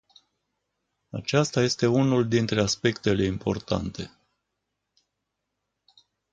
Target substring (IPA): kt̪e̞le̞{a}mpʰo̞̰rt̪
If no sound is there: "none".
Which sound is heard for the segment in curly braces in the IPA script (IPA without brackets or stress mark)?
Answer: i